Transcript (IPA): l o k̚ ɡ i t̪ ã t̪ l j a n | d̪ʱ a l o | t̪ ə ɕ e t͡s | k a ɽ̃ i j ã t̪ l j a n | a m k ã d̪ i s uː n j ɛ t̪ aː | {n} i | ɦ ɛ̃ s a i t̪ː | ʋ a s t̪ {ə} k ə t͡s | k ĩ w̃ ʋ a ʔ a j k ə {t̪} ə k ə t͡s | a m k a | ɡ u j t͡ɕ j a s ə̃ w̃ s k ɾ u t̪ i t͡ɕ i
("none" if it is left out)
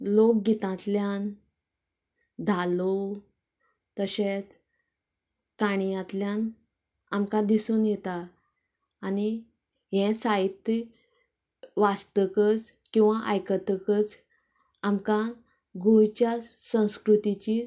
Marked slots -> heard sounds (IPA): n, ə, t̪

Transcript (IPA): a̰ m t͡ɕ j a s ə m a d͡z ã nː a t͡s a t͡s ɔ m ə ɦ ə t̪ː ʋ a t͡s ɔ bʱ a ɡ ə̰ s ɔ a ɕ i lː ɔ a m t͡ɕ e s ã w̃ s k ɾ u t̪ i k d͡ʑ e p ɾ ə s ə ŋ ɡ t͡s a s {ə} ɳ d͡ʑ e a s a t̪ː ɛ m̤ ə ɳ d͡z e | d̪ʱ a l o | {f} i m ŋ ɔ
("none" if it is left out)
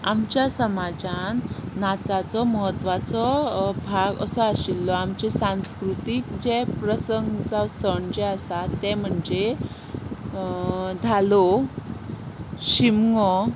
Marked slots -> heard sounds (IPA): ə, ɕ

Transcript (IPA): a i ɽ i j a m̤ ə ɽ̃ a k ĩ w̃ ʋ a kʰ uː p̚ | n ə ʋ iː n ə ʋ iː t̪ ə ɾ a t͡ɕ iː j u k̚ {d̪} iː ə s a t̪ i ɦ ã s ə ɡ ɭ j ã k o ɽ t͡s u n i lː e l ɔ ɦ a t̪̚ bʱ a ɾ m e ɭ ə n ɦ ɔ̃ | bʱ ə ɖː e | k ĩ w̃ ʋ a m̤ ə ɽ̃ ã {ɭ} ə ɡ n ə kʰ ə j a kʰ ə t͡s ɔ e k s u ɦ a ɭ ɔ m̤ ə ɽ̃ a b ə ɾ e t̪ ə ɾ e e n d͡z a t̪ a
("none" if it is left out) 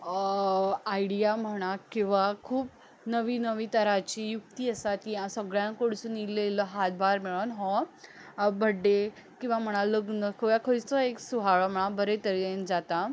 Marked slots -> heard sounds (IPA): t̪, l

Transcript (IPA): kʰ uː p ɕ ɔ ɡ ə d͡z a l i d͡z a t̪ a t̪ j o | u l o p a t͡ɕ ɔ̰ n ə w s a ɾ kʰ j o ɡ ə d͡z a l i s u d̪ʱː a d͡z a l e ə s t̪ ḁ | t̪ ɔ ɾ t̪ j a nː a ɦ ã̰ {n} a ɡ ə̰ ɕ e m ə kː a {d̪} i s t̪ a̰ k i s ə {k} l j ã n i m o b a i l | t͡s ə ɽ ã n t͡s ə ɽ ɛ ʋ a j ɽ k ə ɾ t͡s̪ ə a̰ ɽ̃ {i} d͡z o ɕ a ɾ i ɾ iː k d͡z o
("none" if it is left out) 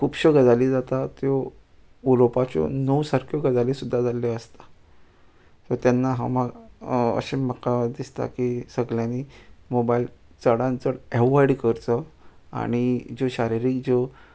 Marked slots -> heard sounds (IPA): m, d̪, ɡ, i

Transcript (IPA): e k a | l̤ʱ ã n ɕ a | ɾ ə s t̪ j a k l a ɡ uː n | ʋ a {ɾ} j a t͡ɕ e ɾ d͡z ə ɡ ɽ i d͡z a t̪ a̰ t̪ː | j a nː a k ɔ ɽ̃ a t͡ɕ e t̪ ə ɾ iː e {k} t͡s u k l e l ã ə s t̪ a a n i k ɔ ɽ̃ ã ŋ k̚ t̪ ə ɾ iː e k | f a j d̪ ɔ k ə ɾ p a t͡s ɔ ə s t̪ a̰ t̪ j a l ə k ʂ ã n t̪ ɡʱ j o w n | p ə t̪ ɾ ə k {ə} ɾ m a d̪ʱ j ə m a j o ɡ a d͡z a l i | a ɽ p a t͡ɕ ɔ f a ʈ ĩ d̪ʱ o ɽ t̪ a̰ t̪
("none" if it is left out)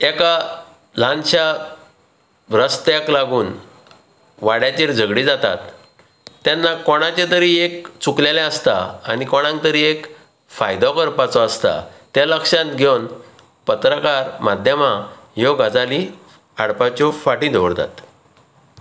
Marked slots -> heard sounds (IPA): ɽ, k, a

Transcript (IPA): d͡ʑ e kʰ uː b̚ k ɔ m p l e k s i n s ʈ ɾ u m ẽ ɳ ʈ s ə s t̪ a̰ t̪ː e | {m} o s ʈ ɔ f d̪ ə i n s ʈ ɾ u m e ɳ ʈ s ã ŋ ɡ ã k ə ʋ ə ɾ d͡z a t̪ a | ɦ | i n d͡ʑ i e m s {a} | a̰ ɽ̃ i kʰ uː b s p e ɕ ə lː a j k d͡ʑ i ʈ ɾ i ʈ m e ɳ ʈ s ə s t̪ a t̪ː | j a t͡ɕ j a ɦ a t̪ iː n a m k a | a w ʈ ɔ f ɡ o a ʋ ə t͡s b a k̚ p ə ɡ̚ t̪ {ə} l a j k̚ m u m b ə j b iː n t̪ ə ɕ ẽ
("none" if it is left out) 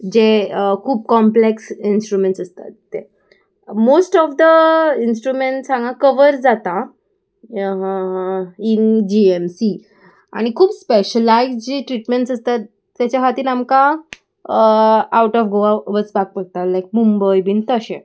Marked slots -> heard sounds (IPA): m, i, a

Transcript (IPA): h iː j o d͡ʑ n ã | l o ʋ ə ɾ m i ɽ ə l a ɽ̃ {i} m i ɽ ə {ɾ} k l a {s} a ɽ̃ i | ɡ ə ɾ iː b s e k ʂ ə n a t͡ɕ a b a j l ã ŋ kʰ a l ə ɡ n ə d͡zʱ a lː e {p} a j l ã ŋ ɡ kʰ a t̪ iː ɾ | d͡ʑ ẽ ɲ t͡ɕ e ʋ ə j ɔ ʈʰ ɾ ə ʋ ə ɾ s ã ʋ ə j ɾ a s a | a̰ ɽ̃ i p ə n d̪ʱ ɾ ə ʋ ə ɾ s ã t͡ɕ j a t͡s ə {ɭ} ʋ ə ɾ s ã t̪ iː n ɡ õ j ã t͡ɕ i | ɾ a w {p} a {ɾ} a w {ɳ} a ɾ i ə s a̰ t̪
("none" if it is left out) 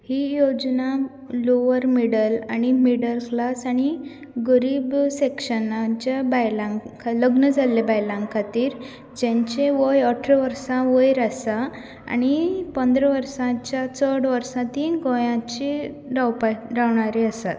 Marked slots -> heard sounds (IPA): i, l, s, b, ɽ, p, ɾ, ɳ

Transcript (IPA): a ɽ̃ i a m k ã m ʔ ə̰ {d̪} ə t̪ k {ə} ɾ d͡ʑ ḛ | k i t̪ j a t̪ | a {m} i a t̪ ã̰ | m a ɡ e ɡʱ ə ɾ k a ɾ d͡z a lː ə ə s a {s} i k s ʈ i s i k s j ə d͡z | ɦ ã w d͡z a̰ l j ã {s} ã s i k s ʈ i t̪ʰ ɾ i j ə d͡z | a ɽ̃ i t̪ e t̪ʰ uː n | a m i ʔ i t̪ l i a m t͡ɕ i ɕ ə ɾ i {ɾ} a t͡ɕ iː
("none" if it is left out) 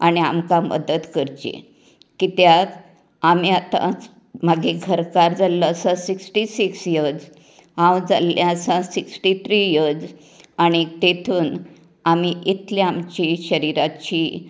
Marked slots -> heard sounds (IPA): d̪, ə, m, s, s, ɾ

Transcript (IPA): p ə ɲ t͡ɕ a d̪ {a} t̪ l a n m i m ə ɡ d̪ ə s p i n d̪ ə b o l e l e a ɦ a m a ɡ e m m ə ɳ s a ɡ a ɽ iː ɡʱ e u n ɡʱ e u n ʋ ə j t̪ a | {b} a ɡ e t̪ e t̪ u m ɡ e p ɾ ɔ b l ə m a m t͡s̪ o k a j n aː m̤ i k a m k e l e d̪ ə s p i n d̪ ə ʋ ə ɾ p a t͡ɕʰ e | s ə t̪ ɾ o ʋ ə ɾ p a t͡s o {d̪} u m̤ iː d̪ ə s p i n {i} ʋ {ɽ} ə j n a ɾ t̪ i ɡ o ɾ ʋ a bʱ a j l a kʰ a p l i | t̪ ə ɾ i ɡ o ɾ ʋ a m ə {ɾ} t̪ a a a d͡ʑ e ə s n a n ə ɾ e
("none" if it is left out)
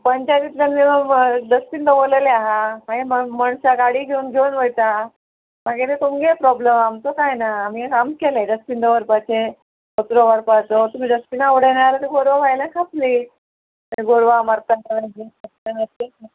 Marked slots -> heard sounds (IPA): i, m, t̪, a, ɽ, ɾ

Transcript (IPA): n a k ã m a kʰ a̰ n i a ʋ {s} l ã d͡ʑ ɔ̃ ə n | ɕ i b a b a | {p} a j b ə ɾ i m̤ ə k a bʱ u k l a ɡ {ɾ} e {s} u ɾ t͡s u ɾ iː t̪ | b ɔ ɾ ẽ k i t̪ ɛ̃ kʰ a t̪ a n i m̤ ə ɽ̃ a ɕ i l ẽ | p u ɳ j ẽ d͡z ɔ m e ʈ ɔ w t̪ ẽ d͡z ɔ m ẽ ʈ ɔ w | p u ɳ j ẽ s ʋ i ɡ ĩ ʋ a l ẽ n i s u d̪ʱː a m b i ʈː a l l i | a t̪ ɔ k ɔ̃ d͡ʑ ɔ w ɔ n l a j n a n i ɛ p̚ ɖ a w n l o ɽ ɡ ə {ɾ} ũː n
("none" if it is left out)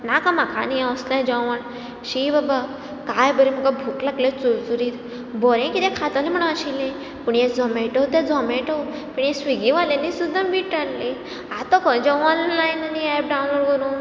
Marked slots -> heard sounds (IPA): s, k, l, t͡s, ɾ

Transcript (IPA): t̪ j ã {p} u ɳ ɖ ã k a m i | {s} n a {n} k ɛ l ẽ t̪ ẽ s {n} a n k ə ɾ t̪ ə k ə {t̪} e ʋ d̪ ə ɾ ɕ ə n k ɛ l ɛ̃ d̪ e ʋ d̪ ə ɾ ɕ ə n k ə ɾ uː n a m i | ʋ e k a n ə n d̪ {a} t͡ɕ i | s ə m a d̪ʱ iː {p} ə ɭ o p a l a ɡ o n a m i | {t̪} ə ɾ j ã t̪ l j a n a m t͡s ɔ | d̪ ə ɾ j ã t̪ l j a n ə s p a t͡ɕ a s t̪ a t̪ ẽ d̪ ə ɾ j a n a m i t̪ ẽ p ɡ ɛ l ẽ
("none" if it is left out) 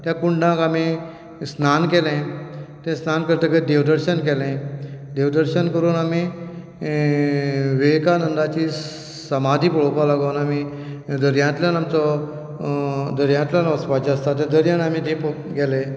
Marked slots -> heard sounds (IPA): k, s, n, n, d̪, a, p, d̪

